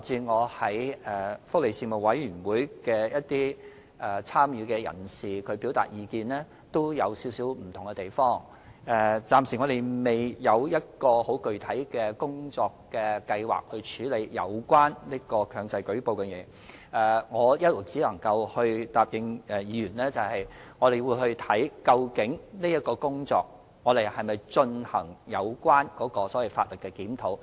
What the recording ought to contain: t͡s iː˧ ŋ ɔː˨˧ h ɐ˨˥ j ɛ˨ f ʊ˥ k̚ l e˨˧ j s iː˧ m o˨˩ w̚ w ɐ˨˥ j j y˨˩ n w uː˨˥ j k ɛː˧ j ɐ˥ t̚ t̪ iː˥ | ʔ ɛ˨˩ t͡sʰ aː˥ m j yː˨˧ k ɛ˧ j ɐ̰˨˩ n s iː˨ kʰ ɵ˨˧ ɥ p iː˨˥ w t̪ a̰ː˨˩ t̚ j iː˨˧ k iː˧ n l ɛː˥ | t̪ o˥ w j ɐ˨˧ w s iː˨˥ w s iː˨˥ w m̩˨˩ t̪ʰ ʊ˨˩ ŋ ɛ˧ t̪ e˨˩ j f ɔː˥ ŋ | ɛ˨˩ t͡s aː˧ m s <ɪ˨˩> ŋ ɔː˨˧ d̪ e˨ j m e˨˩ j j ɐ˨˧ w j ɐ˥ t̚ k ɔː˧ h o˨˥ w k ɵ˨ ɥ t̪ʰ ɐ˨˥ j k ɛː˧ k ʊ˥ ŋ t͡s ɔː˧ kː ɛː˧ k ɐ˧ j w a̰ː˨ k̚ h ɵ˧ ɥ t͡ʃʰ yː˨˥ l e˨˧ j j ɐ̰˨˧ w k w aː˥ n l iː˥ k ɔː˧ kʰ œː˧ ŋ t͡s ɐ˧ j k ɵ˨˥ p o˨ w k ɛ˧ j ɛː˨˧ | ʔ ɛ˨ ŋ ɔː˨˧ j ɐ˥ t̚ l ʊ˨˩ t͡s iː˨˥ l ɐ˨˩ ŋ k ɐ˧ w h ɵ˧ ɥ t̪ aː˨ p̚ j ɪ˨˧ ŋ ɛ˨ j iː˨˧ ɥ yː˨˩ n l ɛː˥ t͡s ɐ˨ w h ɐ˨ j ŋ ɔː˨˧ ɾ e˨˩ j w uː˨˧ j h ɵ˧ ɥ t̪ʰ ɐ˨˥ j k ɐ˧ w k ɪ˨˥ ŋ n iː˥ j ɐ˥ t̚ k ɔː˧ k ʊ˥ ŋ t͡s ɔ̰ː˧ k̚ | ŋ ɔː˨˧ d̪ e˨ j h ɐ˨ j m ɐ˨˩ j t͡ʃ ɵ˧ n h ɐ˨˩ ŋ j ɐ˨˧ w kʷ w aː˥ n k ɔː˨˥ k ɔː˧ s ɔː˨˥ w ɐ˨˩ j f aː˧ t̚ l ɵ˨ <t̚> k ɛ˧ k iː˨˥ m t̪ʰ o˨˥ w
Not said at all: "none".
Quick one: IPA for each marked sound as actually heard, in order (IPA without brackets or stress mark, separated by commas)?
i˨˩, t̚